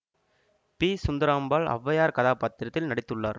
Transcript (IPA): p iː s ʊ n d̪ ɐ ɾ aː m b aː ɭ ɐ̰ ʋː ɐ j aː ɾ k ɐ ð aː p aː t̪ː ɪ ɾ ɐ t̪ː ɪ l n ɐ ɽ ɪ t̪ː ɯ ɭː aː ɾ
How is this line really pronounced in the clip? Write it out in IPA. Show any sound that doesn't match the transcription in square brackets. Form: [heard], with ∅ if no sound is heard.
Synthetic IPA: p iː s ʊ n d̪ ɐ ɾ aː m b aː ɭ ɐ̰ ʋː ɐ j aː ɾ k ɐ ð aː p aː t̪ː ɪ ɾ ɐ t̪ː ɪ l n ɐ ɽ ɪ t̪ː ɯ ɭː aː ɾ